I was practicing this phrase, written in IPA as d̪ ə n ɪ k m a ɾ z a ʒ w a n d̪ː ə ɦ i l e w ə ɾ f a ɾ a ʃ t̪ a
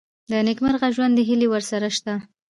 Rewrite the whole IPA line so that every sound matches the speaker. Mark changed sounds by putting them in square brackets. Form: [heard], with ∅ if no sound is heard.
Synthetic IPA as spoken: d̪ ə n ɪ k m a ɾ [ɣ] a ʒ w a n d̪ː ə ɦ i l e w ə ɾ [s] a ɾ a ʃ t̪ a